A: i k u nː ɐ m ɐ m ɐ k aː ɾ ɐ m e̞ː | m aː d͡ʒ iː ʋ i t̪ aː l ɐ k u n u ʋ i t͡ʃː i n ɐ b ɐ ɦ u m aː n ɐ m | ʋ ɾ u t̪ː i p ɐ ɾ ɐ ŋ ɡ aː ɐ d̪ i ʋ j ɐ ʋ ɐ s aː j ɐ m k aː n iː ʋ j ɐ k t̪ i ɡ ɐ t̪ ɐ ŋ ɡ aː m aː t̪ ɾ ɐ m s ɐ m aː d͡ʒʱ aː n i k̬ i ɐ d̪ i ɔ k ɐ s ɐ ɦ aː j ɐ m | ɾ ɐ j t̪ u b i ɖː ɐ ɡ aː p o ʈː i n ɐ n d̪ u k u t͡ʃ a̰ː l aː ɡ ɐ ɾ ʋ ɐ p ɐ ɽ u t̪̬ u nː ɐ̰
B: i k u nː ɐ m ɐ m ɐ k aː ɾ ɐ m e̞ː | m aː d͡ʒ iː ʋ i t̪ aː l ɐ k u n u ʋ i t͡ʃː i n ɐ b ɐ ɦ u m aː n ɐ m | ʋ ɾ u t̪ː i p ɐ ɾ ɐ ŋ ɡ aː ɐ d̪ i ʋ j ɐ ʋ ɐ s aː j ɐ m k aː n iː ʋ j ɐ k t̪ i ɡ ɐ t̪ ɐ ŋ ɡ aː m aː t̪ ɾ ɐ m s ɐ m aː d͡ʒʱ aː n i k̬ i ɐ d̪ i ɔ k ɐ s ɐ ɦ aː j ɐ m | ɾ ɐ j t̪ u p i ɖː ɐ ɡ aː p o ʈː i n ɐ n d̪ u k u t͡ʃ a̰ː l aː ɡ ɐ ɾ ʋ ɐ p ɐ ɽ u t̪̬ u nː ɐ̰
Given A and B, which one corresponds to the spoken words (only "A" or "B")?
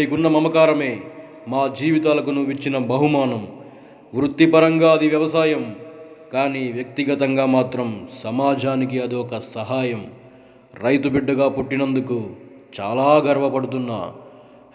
A